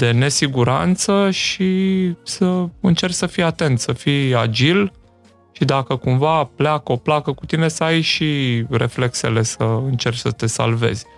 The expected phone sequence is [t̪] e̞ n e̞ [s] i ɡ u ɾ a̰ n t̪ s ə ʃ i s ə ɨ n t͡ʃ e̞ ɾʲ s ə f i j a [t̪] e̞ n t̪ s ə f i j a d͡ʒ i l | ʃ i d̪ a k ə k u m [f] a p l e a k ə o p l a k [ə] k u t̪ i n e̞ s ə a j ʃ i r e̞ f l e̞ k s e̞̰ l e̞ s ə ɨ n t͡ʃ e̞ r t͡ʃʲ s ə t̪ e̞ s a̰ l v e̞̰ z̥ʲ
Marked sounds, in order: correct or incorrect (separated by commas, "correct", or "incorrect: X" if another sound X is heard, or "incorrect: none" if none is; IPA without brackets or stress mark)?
incorrect: d̪, correct, correct, incorrect: v, correct